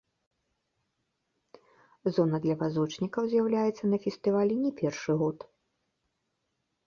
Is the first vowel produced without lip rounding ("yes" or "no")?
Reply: no